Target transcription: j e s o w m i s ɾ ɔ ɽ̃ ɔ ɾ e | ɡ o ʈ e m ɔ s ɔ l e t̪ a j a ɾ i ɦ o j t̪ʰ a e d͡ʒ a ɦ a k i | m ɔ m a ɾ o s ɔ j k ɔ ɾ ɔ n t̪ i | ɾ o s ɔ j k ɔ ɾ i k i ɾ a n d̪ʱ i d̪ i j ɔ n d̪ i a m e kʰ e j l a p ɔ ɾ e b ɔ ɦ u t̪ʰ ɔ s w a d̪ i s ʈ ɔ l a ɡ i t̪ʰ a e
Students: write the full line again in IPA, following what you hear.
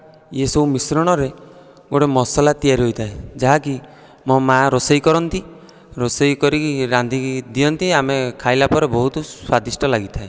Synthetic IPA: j e s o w m i s ɾ ɔ ɽ̃ ɔ ɾ e | ɡ o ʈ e m ɔ s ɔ l a t̪ i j a ɾ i ɦ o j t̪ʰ a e d͡ʒ a ɦ a k i | m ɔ m a ɾ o s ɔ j k ɔ ɾ ɔ n t̪ i | ɾ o s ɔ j k ɔ ɾ i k i ɾ a n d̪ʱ i d̪ i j ɔ n t̪ i a m e kʰ a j l a p ɔ ɾ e b ɔ ɦ u t̪ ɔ s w a d̪ i s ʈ ɔ l a ɡ i t̪ʰ a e